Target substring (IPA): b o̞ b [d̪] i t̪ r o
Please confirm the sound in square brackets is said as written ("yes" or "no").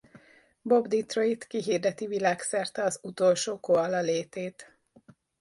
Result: yes